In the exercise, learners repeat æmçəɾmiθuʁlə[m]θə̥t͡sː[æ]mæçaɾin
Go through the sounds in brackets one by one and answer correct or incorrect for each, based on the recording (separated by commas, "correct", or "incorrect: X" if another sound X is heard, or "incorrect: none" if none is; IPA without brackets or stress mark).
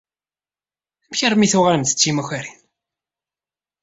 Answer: correct, incorrect: i